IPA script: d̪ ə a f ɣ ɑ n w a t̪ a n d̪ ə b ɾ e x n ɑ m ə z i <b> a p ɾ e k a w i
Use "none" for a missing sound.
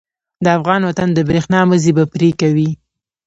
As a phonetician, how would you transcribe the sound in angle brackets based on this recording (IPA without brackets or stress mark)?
b